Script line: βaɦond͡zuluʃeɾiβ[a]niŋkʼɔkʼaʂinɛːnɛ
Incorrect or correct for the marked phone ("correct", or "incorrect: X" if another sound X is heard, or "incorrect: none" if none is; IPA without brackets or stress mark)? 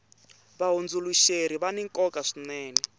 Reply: correct